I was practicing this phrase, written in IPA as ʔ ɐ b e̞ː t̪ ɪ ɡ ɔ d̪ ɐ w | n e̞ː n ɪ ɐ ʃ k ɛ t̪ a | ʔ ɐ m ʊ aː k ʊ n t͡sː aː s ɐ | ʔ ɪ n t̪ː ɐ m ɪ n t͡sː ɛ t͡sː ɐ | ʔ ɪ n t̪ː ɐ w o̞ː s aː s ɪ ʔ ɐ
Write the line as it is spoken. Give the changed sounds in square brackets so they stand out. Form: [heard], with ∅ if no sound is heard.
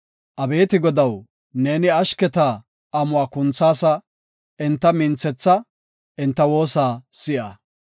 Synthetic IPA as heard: ʔ ɐ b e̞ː t̪ ɪ ɡ ɔ d̪ ɐ w | n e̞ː n ɪ ɐ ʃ k ɛ t̪ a | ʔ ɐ m ʊ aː k ʊ n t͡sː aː s ɐ | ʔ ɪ n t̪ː ɐ m ɪ n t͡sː ɛ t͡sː ɐ | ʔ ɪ n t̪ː ɐ w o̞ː s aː s ɪ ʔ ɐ

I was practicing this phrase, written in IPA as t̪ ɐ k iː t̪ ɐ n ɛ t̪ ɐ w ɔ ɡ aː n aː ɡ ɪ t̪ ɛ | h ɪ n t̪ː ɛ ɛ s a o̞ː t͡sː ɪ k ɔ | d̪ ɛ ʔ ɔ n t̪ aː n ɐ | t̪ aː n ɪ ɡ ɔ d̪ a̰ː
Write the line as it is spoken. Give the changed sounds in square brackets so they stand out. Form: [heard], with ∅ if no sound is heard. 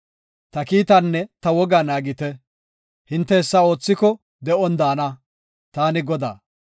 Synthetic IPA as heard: t̪ ɐ k iː t̪ ɐ [nː] ɛ t̪ ɐ w ɔ ɡ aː n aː ɡ ɪ t̪ ɛ | h ɪ n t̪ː ɛ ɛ [sː] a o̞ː t͡sː ɪ k ɔ | d̪ ɛ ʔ ɔ n [d̪] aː n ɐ | t̪ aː n ɪ ɡ ɔ d̪ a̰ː

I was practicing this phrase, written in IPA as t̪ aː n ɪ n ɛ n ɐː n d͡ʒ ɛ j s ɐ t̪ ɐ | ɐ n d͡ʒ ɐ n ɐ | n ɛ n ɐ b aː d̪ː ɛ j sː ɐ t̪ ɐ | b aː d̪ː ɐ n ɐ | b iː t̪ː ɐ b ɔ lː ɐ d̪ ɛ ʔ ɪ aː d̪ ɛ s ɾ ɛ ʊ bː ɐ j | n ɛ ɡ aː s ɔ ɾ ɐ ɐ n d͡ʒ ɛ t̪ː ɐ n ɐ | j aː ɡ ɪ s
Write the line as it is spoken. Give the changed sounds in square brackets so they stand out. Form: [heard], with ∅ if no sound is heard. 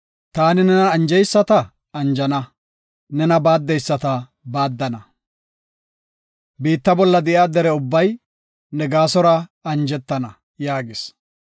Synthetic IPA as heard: t̪ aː n ɪ n ɛ n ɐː n d͡ʒ ɛ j [sː] ɐ t̪ ɐ | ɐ n d͡ʒ ɐ n ɐ | n ɛ n ɐ b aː d̪ː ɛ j sː ɐ t̪ ɐ | b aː d̪ː ɐ n ɐ | b iː t̪ː ɐ b ɔ lː ɐ d̪ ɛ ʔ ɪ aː d̪ ɛ [∅] ɾ ɛ ʊ bː ɐ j | n ɛ ɡ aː s ɔ ɾ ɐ ɐ n d͡ʒ ɛ t̪ː ɐ n ɐ | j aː ɡ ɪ s

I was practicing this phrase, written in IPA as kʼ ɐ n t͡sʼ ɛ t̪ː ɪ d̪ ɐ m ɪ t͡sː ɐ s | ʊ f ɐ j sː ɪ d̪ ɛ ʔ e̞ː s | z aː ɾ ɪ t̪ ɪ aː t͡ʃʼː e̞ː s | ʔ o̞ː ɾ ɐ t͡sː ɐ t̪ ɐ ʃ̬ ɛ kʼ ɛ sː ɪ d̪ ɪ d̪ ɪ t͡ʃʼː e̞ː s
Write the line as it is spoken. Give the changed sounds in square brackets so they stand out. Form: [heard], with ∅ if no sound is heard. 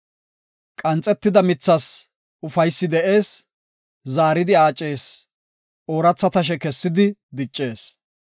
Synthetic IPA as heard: kʼ ɐ n t͡sʼ ɛ t̪ː ɪ d̪ ɐ m ɪ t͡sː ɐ s | ʊ f ɐ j sː ɪ d̪ ɛ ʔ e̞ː s | z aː ɾ ɪ [d̪] ɪ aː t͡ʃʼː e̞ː s | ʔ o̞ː ɾ ɐ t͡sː ɐ t̪ ɐ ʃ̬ ɛ [k] ɛ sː ɪ d̪ ɪ d̪ ɪ t͡ʃʼː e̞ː s

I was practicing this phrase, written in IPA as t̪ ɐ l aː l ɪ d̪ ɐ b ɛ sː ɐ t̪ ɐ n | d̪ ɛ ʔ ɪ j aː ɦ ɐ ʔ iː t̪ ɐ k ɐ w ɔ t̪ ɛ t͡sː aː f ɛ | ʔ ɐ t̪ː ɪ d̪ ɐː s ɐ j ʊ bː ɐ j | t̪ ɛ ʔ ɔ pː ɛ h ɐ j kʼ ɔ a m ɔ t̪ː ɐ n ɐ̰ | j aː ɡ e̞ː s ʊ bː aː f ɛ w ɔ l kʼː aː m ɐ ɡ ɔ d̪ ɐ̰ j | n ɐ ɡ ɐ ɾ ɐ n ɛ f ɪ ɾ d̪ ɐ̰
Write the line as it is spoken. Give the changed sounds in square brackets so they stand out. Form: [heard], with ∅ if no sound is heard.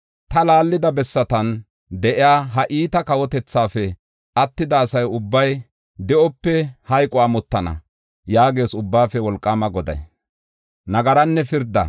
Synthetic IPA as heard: t̪ ɐ l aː [lː] ɪ d̪ ɐ b ɛ sː ɐ t̪ ɐ n | d̪ ɛ ʔ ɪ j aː ɦ ɐ ʔ iː t̪ ɐ k ɐ w ɔ t̪ ɛ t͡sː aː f ɛ | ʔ ɐ t̪ː ɪ d̪ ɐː s ɐ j ʊ bː ɐ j | [d̪] ɛ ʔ ɔ pː ɛ h ɐ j kʼ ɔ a m ɔ t̪ː ɐ n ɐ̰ | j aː ɡ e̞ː s ʊ bː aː f ɛ w ɔ l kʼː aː m ɐ ɡ ɔ d̪ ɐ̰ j | n ɐ ɡ ɐ ɾ ɐ [nː] ɛ f ɪ ɾ d̪ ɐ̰

